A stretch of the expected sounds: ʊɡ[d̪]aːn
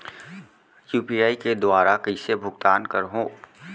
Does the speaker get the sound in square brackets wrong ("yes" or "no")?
yes